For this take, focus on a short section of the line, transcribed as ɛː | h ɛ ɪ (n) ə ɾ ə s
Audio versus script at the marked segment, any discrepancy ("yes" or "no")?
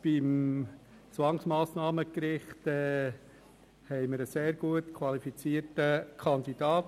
yes